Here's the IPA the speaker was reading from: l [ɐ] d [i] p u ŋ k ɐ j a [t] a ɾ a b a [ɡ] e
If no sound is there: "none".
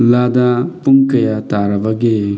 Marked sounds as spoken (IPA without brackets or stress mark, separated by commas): a, a, t, ɡ